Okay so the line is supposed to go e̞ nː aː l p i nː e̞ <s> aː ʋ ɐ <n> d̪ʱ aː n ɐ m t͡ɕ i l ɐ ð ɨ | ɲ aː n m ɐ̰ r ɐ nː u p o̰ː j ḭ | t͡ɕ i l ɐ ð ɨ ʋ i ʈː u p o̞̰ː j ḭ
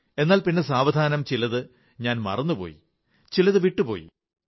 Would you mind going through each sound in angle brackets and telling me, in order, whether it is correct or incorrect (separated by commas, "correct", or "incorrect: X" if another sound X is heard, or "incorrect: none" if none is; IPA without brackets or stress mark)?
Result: correct, incorrect: none